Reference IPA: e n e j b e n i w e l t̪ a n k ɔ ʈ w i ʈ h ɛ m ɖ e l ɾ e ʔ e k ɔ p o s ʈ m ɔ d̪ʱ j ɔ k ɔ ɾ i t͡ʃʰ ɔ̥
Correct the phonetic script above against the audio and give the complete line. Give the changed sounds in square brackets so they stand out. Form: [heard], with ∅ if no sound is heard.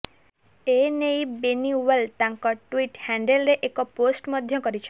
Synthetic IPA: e n e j b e n i w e l t̪ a [ŋ] k ɔ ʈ w i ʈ h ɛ [ɳ] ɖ e l ɾ e ʔ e k ɔ p o s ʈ m ɔ d̪ʱ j ɔ k ɔ ɾ i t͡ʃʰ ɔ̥